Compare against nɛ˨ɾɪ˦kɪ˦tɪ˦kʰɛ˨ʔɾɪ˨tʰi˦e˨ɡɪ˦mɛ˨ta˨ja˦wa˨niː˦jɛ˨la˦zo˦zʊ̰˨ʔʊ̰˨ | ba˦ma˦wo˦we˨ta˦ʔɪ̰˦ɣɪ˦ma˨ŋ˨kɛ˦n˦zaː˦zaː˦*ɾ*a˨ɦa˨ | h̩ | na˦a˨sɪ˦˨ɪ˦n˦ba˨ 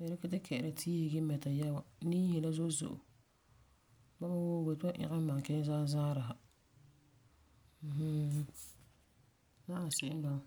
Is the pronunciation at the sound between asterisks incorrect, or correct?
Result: correct